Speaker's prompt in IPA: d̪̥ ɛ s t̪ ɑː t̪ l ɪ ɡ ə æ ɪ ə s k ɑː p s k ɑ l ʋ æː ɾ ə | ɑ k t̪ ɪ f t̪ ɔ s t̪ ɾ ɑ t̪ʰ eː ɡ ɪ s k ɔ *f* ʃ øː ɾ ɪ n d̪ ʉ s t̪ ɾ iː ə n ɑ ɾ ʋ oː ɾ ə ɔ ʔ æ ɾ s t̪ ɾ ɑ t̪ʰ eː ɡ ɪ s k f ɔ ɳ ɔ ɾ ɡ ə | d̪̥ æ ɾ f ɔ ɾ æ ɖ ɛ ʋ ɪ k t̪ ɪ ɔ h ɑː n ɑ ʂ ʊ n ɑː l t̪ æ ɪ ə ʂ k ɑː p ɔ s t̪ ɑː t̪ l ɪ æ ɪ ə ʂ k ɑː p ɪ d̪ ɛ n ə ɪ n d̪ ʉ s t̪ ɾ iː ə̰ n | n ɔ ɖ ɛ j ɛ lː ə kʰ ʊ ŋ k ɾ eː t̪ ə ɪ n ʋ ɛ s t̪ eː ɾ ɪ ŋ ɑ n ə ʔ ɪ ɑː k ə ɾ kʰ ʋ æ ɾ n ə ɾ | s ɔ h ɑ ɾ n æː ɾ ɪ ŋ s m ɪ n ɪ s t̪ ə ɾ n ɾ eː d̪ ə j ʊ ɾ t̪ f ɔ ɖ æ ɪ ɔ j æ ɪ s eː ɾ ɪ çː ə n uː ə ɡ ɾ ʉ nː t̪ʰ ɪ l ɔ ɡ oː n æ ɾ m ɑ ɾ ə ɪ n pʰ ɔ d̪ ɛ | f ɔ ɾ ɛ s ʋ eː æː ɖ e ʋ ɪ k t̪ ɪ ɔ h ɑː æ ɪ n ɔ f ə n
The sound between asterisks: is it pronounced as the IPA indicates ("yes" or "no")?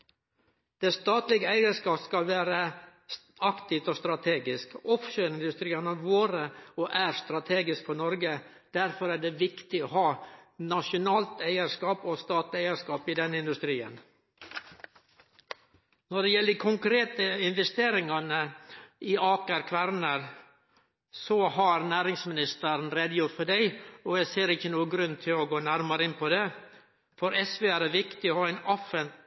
yes